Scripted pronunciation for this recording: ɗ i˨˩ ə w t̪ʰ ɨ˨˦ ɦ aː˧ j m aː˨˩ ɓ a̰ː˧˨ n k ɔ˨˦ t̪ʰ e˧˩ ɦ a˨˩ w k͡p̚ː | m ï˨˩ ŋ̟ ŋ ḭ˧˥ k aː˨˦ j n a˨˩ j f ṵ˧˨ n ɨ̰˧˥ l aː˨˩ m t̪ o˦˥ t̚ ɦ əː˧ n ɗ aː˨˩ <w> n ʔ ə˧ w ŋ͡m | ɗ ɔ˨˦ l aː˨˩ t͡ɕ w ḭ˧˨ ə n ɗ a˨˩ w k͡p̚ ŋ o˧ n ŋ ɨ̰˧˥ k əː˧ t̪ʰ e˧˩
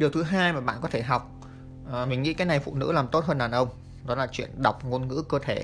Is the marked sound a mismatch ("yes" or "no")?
yes